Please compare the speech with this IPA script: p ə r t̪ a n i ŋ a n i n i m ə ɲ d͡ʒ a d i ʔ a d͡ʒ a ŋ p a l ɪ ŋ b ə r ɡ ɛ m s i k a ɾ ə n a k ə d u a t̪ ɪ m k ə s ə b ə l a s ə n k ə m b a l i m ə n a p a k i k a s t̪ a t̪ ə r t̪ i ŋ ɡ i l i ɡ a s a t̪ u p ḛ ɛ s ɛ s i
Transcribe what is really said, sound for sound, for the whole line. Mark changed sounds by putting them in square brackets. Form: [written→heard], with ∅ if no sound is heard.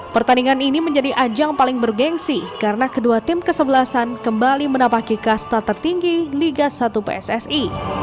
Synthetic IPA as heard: p ə r t̪ a n i ŋ a n i n i m ə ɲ d͡ʒ a d i ʔ a d͡ʒ a ŋ p a l ɪ ŋ b ə r ɡ ɛ [m→ŋ] s i k a ɾ ə n a k ə d u a t̪ ɪ m k ə s ə b ə l a s [ə→a] n k ə m b a l i m ə n a p a k i k a s t̪ a t̪ ə r t̪ i ŋ ɡ i l i ɡ a s a t̪ u p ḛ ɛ s ɛ s i